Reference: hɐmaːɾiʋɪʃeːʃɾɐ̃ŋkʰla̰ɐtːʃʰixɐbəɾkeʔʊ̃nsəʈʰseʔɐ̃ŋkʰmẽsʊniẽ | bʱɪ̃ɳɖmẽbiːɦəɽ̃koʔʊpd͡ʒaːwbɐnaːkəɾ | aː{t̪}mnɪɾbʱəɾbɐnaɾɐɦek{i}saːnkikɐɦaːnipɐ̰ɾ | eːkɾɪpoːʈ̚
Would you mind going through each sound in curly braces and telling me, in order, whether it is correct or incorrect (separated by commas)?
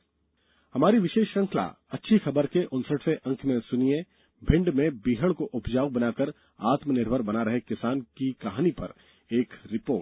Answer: correct, incorrect